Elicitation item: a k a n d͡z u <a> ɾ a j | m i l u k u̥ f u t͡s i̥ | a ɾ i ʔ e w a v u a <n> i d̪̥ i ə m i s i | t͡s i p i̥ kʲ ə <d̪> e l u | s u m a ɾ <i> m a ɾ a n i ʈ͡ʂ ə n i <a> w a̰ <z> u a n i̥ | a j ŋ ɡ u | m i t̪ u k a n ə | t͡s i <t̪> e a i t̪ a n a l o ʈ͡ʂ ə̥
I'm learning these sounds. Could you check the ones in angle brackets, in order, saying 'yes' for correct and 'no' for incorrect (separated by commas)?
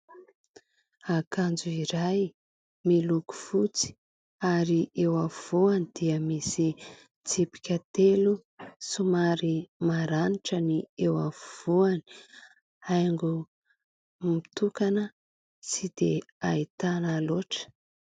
no, yes, no, yes, no, no, no